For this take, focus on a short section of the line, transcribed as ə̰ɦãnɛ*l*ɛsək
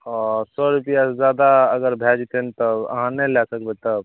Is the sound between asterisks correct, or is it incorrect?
correct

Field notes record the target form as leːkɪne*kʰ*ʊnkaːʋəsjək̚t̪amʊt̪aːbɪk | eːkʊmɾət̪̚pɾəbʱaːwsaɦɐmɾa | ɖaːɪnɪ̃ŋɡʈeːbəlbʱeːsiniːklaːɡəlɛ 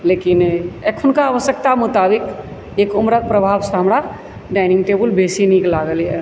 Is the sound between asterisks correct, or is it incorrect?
correct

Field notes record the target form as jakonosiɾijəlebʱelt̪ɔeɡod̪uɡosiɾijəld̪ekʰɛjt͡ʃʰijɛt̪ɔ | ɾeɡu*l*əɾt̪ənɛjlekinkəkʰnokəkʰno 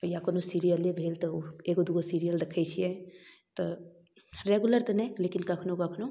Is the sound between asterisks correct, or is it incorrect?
correct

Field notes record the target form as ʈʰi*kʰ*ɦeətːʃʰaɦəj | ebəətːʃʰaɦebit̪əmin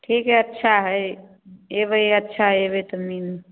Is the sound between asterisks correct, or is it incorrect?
incorrect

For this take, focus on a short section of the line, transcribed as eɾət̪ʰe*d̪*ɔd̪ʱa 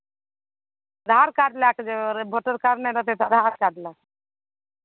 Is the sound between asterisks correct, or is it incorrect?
incorrect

